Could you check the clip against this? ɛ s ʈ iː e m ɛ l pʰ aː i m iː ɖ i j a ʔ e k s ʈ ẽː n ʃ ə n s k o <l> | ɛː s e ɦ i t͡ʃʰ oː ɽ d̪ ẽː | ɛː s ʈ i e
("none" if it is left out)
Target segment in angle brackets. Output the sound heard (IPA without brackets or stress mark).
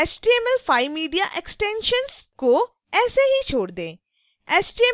none